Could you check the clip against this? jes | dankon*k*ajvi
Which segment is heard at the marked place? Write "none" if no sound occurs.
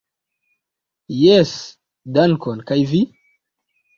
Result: k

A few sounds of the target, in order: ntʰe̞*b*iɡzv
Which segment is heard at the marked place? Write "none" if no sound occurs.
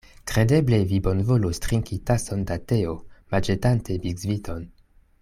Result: b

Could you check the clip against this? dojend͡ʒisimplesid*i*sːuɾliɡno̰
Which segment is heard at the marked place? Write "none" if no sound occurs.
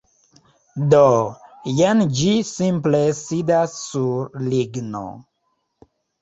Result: a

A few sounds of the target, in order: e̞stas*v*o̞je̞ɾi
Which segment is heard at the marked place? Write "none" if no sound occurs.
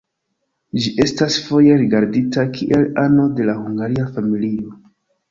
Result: f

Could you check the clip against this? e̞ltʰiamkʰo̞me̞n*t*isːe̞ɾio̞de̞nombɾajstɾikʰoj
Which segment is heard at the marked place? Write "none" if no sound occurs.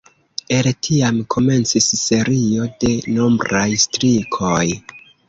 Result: t͡s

